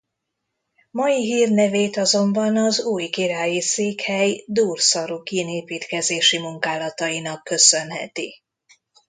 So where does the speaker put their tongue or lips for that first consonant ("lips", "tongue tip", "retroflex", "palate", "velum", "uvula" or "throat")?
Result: lips